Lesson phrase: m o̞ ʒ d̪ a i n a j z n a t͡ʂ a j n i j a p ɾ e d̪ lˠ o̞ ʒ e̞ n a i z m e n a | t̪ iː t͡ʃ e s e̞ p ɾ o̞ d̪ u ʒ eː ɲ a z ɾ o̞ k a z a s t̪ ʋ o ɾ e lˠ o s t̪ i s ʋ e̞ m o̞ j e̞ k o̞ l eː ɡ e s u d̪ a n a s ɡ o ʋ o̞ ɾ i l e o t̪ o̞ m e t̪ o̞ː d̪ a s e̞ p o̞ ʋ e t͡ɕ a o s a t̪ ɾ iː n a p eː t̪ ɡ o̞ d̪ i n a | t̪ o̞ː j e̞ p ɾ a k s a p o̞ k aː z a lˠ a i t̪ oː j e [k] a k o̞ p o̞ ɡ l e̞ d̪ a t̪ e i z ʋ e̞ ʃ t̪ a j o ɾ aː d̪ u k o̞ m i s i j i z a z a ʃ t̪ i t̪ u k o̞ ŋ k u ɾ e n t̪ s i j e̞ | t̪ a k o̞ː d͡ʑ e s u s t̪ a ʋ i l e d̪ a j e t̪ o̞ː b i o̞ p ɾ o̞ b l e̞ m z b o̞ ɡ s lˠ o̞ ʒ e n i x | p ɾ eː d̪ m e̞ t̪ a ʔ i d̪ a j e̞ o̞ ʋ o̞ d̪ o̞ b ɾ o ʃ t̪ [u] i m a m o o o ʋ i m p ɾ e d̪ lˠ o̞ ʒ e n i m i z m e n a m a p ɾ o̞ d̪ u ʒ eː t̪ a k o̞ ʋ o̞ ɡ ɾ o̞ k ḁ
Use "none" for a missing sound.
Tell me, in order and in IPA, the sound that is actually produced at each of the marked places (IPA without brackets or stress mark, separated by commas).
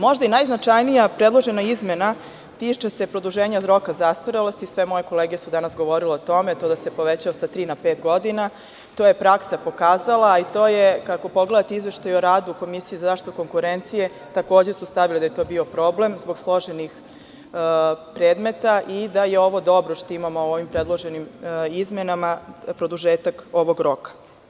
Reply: k, o